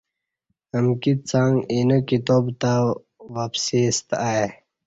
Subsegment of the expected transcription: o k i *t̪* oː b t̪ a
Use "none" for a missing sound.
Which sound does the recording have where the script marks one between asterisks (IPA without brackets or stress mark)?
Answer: t̪